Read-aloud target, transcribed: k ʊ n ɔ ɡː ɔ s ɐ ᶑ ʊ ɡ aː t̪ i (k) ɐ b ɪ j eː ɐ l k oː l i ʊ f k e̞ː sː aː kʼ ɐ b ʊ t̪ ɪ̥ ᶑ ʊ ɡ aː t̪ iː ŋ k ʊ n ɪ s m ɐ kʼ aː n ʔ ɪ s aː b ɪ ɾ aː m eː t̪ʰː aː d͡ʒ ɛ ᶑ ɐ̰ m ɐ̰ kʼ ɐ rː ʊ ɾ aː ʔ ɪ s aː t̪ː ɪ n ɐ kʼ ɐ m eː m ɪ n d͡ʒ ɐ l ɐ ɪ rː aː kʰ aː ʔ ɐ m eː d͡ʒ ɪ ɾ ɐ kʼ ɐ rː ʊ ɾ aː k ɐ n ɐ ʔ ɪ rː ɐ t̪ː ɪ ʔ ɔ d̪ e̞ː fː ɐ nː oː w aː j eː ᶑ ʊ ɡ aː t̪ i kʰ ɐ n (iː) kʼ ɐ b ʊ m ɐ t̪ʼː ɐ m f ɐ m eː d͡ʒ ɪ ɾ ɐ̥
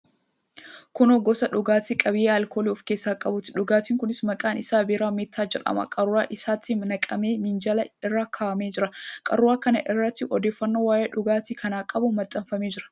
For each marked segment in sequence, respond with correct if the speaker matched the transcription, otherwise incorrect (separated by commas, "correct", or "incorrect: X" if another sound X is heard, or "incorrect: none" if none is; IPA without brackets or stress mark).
incorrect: kʼ, incorrect: aː